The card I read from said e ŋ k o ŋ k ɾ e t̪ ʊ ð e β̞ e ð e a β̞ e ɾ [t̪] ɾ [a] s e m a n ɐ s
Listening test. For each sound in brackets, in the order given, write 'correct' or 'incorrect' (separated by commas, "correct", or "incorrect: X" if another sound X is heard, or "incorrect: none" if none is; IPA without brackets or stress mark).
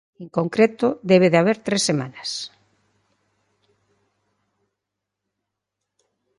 correct, incorrect: e